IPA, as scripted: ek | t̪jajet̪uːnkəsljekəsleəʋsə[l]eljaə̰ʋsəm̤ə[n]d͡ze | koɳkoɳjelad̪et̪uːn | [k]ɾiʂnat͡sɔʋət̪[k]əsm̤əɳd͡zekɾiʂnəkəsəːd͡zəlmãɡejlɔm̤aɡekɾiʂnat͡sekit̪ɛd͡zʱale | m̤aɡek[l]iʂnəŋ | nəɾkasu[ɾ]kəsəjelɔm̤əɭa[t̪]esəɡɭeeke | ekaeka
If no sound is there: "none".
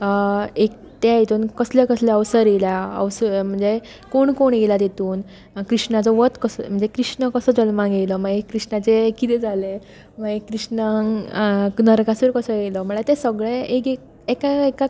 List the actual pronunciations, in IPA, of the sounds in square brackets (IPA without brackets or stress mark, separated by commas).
ɾ, ɳ, k, k, ɾ, ɾ, t̪